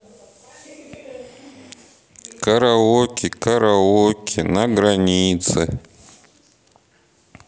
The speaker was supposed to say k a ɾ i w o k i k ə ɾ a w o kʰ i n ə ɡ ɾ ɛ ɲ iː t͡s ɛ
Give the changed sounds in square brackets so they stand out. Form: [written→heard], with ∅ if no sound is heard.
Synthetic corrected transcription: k a ɾ [i→a] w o k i k [ə→a] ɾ a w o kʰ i n [ə→a] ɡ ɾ [ɛ→a] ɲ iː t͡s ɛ